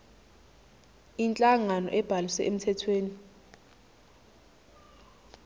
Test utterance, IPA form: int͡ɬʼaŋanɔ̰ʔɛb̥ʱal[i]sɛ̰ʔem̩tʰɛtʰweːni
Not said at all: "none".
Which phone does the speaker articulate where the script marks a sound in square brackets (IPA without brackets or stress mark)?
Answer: i